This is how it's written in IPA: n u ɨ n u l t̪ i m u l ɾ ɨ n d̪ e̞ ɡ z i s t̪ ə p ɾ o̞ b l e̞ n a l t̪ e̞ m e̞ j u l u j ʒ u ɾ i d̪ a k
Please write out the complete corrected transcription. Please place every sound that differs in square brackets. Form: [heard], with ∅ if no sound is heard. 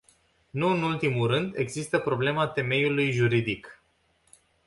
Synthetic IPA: n u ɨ n u l t̪ i m u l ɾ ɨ n d̪ e̞ ɡ z i s t̪ ə p ɾ o̞ b l e̞ [m] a [∅] t̪ e̞ m e̞ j u l u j ʒ u ɾ i d̪ [i] k